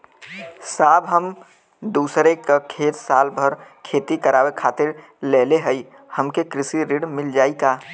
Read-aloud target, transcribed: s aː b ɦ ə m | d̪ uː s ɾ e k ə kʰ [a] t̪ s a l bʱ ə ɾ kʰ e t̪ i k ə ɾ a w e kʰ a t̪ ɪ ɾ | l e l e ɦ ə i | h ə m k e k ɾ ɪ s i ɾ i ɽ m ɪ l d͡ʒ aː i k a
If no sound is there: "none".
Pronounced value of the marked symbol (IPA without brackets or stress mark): e